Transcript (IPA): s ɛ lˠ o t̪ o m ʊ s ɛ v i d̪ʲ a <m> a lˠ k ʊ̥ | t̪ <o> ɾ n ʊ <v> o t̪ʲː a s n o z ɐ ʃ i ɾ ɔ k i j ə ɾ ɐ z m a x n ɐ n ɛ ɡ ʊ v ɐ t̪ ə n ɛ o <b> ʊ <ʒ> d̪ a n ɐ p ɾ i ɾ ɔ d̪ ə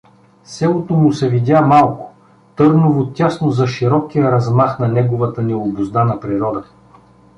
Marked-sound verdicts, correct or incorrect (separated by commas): correct, incorrect, correct, correct, incorrect